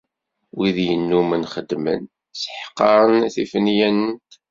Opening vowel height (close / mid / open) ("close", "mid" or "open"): close